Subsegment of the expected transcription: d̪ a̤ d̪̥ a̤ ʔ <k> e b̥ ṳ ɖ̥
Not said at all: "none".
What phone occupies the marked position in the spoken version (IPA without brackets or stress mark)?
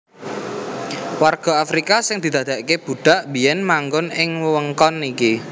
k